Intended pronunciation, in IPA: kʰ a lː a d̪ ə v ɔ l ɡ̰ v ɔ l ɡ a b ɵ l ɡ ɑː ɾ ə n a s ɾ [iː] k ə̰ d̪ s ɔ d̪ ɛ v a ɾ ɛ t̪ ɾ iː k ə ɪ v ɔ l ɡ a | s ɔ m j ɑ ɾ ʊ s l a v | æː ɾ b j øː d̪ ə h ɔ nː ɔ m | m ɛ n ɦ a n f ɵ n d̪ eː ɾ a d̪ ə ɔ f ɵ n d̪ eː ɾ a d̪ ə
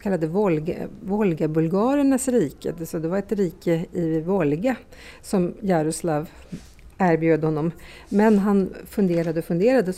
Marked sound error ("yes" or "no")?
no